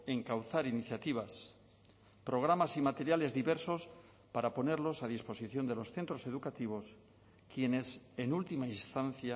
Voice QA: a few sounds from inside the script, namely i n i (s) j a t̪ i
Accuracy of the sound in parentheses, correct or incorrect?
incorrect